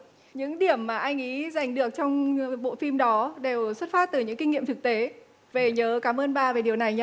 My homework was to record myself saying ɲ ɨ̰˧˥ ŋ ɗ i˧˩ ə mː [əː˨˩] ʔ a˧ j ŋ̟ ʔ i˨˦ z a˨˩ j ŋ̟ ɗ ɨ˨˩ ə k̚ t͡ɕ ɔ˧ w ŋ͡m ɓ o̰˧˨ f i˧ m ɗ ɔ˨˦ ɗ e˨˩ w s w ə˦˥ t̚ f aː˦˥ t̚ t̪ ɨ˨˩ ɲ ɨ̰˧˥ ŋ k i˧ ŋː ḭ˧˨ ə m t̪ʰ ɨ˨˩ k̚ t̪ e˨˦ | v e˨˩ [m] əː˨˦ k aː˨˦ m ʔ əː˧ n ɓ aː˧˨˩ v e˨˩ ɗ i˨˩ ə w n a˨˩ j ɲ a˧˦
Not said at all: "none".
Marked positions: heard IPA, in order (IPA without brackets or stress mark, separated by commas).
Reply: aː˨˩, ɲ